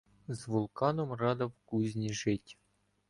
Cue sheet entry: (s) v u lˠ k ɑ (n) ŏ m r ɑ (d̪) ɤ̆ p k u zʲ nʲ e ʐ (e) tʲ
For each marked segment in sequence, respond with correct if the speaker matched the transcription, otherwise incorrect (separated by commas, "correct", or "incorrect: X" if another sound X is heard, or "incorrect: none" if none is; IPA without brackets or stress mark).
incorrect: z, correct, correct, correct